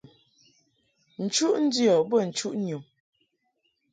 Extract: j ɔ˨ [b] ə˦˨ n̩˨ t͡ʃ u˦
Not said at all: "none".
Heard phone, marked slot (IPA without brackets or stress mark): b